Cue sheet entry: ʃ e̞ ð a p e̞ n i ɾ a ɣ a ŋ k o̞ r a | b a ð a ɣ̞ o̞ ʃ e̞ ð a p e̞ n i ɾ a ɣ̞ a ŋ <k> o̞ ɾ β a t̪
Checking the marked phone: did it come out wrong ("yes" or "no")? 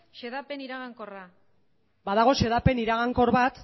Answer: no